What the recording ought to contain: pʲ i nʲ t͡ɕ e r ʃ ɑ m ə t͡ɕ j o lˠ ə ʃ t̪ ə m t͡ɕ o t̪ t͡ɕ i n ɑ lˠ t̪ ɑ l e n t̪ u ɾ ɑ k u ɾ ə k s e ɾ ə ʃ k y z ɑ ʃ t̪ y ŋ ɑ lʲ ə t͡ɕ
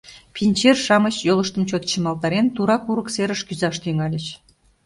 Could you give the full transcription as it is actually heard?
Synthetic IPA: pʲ i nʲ t͡ɕ e r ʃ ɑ m ə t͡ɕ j o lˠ ə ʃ t̪ ə m t͡ɕ o t̪ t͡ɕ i m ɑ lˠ t̪ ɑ ɾ e n t̪ u ɾ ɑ k u ɾ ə k s e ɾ ə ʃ k y z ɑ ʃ t̪ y ŋ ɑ lʲ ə t͡ɕ